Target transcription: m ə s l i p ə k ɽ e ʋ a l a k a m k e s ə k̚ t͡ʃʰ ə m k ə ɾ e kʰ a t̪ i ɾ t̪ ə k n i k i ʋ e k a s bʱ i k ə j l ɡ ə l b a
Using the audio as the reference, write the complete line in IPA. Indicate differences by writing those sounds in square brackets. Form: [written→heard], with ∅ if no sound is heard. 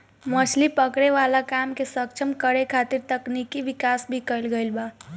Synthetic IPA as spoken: m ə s l i p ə k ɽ e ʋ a l a k a m k e s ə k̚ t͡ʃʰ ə m k ə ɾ e kʰ a t̪ i ɾ t̪ ə k n i k i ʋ [e→i] k a s bʱ i k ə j l ɡ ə l b a